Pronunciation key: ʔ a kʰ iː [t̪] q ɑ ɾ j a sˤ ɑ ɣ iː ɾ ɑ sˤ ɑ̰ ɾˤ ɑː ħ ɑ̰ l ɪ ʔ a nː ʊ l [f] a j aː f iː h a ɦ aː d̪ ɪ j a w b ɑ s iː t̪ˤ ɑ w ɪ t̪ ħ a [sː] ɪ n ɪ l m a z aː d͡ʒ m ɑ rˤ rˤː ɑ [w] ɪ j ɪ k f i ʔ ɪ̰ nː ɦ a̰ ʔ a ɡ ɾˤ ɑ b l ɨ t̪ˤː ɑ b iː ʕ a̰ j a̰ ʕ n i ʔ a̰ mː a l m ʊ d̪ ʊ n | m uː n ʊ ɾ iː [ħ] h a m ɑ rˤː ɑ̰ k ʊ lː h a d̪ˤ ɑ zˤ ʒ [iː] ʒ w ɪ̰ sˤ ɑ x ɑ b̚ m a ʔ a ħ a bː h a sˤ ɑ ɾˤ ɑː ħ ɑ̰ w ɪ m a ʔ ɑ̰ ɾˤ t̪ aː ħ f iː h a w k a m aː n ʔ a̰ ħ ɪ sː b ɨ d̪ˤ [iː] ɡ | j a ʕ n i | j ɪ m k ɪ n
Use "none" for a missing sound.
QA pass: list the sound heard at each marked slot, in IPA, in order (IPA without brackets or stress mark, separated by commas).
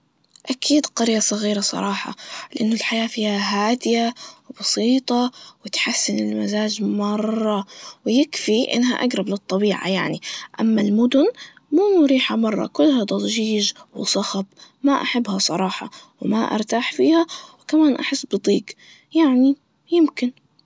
d̪, ħ, sː, w, ħ, iː, iː